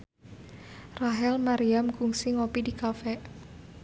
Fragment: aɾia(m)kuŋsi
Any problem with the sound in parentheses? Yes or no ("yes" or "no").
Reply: no